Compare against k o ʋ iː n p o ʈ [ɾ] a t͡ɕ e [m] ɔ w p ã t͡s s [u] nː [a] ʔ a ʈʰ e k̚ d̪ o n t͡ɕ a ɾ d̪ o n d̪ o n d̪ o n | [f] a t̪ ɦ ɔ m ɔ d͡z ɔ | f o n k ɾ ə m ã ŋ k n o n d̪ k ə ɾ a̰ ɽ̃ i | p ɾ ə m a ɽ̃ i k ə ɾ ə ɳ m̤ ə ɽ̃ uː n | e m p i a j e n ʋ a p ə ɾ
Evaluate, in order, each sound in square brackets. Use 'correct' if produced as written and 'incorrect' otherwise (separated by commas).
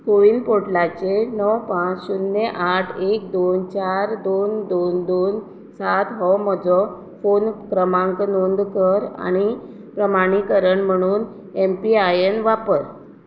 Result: incorrect, incorrect, correct, incorrect, incorrect